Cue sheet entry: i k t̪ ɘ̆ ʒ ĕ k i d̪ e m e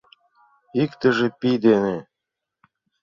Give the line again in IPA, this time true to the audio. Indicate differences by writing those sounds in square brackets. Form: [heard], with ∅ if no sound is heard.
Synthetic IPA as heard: i k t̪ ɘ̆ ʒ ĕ [p] i d̪ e [n] e